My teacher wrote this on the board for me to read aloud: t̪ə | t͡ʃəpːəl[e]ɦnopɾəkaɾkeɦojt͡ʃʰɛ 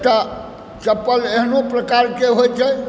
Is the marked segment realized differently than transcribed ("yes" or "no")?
no